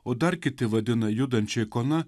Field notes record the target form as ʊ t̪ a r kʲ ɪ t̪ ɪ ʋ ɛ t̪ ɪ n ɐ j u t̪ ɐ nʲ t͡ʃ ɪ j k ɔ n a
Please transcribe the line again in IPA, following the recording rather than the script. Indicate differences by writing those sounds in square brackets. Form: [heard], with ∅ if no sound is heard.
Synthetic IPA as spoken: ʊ [d̪] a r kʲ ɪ t̪ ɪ ʋ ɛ [d̪] ɪ n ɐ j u [d̪] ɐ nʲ t͡ʃ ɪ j k ɔ n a

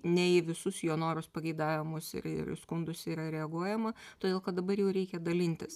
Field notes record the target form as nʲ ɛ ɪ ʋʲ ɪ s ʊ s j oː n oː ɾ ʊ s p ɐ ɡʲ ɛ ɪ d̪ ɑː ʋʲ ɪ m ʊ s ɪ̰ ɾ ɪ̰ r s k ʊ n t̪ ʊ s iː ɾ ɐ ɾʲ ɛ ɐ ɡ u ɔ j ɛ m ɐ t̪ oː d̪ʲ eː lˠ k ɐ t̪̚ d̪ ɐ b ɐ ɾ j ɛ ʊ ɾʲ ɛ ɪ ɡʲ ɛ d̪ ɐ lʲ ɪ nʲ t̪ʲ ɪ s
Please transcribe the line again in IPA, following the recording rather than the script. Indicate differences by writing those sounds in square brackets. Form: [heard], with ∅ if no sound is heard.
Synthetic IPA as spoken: nʲ ɛ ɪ ʋʲ ɪ s ʊ s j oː n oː ɾ ʊ s p ɐ ɡʲ ɛ ɪ d̪ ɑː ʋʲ ɪ m ʊ s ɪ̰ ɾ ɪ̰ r s k ʊ n [d̪] ʊ s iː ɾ ɐ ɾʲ ɛ ɐ ɡ u ɔ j ɛ m ɐ t̪ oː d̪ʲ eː lˠ k ɐ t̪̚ d̪ ɐ b ɐ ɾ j ɛ ʊ ɾʲ ɛ ɪ [kʲ] ɛ d̪ ɐ lʲ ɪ nʲ t̪ʲ ɪ s

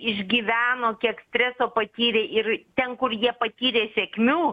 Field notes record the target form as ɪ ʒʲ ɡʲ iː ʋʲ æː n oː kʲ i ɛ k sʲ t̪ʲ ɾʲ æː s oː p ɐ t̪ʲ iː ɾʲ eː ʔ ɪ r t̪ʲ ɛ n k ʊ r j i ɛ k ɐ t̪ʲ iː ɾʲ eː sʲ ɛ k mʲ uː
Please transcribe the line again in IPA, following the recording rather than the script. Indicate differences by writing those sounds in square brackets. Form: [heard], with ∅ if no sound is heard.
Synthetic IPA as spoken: ɪ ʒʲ ɡʲ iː ʋʲ æː n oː kʲ i ɛ k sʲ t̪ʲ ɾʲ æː s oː p ɐ t̪ʲ iː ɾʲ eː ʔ ɪ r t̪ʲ ɛ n k ʊ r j i ɛ [p] ɐ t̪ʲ iː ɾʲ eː sʲ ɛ k mʲ uː

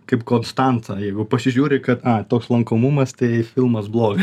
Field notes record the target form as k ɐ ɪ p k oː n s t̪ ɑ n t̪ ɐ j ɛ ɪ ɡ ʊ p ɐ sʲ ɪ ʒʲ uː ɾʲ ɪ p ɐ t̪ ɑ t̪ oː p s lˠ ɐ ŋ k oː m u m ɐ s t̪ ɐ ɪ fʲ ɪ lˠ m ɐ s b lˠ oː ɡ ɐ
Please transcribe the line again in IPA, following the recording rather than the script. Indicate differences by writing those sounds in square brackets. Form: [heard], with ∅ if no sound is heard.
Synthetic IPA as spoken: k ɐ ɪ p k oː n s t̪ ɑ n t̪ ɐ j ɛ ɪ ɡ ʊ p ɐ sʲ ɪ ʒʲ uː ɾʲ ɪ [k] ɐ t̪ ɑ t̪ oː [k] s lˠ ɐ ŋ k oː m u m ɐ s t̪ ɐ ɪ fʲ ɪ lˠ m ɐ s b lˠ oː ɡ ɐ

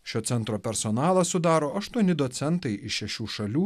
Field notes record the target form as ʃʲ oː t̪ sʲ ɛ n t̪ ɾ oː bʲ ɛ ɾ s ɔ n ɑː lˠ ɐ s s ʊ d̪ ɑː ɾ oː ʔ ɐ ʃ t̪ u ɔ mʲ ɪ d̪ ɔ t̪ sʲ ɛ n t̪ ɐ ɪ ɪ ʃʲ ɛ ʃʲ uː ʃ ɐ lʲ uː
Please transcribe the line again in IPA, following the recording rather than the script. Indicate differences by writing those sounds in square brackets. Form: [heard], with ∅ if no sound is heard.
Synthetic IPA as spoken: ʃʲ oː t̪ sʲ ɛ n t̪ ɾ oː [pʲ] ɛ ɾ s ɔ n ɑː lˠ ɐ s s ʊ d̪ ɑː ɾ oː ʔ ɐ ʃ t̪ u ɔ [nʲ] ɪ d̪ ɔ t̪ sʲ ɛ n t̪ ɐ ɪ ɪ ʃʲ ɛ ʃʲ uː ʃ ɐ lʲ uː

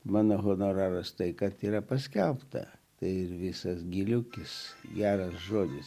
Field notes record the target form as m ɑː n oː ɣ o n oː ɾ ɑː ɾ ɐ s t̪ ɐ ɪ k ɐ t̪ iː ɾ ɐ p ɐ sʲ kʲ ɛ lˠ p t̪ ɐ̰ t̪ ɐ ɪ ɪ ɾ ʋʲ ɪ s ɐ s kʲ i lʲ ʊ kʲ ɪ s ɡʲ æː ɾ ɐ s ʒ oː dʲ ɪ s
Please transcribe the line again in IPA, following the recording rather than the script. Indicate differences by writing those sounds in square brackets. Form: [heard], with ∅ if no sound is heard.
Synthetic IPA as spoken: m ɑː n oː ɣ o n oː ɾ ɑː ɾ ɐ s t̪ ɐ ɪ k ɐ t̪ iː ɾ ɐ p ɐ sʲ kʲ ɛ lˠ p t̪ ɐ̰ t̪ ɐ ɪ ɪ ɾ ʋʲ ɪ s ɐ s [ɡʲ] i lʲ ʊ kʲ ɪ s ɡʲ æː ɾ ɐ s ʒ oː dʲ ɪ s

